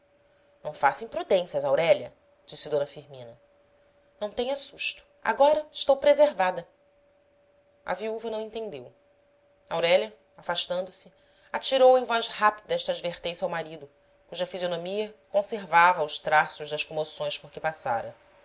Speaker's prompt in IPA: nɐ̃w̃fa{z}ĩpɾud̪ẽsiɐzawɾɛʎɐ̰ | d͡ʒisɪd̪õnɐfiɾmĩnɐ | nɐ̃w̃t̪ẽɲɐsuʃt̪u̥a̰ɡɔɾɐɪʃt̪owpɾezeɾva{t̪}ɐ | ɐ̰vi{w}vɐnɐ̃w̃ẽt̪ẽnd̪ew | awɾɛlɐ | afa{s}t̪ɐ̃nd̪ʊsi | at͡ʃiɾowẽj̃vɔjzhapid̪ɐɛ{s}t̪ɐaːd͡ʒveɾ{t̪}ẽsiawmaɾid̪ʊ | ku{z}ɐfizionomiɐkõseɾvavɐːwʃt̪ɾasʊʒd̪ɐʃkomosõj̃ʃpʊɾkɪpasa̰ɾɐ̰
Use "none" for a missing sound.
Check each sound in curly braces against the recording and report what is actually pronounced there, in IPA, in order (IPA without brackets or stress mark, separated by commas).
s, d̪, u, ʃ, ʃ, t̪, ʒ